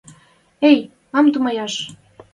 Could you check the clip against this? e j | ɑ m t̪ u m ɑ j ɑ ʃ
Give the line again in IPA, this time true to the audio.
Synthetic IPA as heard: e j | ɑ m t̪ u m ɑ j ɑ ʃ